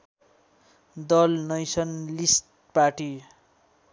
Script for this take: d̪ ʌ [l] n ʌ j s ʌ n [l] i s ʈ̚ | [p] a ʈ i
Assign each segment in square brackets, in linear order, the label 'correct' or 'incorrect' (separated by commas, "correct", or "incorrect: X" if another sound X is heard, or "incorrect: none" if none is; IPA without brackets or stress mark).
correct, correct, correct